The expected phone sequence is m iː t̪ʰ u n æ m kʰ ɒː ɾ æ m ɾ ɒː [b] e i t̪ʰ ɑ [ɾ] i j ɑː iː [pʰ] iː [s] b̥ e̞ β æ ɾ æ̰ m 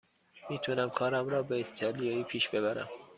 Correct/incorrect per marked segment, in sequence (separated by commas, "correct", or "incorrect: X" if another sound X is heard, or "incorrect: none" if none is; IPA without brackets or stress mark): correct, incorrect: l, correct, incorrect: ʃ